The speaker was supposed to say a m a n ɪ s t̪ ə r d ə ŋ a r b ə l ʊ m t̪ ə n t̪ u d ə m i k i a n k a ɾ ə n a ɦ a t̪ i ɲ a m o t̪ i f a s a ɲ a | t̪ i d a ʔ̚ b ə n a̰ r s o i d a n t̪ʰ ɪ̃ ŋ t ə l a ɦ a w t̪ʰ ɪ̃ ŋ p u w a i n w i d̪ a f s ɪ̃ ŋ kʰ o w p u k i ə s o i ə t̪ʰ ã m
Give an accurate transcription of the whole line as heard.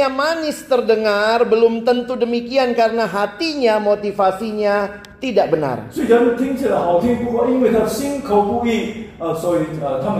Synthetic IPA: a m a n ɪ s t̪ ə r d ə ŋ a r b ə l ʊ m t̪ ə n t̪ u d ə m i k i a n k a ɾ ə n a ɦ a t̪ i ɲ a m o t̪ i f a s i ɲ a | t̪ i d a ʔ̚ b ə n a̰ r s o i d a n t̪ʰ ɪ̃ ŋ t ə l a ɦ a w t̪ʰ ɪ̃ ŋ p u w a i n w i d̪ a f s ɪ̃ ŋ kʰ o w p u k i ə s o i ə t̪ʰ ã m